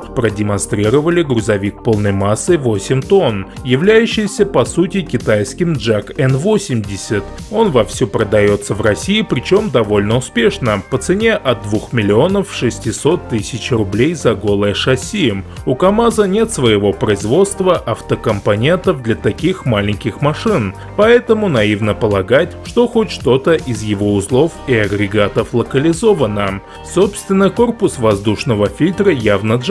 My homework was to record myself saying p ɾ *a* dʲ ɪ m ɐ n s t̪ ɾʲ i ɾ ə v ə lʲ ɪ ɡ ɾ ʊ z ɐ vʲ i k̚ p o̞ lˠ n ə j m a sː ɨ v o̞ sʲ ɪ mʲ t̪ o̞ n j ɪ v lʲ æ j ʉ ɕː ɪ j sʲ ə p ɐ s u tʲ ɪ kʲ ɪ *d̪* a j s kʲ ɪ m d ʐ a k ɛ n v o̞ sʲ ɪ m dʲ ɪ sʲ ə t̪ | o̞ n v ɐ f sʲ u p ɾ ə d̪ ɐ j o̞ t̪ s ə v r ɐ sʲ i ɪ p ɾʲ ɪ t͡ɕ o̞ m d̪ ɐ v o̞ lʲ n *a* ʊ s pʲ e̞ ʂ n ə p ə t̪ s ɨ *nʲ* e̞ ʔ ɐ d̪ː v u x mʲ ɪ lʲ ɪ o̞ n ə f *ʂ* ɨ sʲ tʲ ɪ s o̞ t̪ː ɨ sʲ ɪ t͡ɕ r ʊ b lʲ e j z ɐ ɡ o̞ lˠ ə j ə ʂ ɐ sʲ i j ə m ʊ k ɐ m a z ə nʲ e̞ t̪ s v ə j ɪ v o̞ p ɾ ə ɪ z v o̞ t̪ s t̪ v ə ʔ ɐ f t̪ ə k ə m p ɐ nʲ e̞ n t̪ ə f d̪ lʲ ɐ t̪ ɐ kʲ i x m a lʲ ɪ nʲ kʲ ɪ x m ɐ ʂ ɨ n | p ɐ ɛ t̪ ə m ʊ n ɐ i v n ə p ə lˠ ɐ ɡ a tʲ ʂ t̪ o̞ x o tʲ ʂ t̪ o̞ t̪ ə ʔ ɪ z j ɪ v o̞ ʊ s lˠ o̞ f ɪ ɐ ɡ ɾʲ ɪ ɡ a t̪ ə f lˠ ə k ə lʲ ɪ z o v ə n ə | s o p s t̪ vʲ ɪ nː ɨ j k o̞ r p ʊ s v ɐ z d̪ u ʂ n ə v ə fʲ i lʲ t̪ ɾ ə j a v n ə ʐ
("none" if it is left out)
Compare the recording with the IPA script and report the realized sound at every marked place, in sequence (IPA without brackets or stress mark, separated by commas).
ə, t̪, ə, nʲ, ʂ